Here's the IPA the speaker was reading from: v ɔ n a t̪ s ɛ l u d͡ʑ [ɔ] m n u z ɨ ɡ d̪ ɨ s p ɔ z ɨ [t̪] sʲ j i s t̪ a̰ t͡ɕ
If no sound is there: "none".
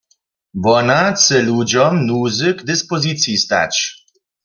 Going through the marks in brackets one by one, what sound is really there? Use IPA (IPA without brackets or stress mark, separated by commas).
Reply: ɔ, t̪